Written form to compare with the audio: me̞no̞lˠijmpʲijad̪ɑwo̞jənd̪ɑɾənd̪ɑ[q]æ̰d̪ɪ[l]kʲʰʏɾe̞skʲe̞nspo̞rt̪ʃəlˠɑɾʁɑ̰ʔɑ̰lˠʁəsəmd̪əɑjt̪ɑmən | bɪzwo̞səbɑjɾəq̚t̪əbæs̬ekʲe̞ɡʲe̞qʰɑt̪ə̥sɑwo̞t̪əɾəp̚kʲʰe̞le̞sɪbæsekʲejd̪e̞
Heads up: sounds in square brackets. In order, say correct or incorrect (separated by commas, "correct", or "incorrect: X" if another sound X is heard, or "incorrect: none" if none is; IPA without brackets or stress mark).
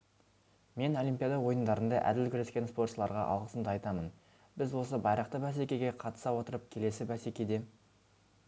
incorrect: ʔ, correct